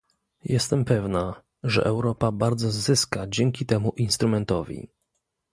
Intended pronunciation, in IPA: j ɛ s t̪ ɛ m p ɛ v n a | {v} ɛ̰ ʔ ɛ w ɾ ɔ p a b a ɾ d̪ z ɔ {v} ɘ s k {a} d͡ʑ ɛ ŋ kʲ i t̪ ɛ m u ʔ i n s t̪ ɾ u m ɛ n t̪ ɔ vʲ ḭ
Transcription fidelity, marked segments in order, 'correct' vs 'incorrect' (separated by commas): incorrect, incorrect, correct